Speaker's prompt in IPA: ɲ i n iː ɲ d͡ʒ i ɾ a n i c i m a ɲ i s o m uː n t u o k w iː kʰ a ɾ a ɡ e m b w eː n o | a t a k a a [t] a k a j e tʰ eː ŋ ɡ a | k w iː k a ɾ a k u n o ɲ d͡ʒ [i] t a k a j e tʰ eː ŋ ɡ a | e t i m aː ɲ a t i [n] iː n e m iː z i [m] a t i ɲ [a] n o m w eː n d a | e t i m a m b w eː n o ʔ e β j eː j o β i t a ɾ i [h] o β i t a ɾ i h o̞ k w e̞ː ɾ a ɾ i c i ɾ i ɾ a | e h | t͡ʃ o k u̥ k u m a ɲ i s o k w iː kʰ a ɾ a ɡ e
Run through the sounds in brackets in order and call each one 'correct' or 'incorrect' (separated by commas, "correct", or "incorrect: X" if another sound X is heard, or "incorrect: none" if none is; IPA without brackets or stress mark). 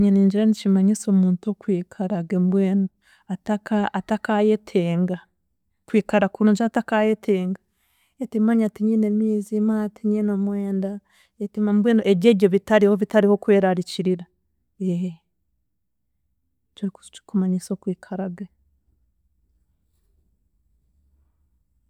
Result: correct, incorrect: a, incorrect: ɲ, correct, incorrect: i, correct